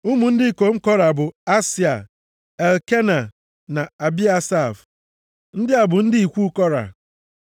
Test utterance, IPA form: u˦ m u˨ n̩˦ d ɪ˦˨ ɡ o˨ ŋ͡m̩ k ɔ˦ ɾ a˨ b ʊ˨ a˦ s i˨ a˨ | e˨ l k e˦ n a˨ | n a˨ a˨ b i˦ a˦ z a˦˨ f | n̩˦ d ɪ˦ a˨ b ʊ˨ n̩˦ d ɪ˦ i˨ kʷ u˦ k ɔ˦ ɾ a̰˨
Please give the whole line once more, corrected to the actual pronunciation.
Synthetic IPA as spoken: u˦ m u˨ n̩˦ d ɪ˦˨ k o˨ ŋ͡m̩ k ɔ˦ ɾ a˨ b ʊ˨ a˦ s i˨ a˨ | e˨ l k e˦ n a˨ | n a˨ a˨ b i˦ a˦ s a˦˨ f | n̩˦ d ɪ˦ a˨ b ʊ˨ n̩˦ d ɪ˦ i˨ kʷ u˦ k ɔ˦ ɾ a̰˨